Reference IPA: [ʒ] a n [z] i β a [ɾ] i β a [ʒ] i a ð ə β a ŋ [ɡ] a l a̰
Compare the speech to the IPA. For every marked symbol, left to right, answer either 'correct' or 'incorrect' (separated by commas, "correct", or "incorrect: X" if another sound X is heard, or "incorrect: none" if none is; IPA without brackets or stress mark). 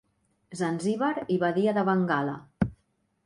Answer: incorrect: z, correct, correct, incorrect: ð, correct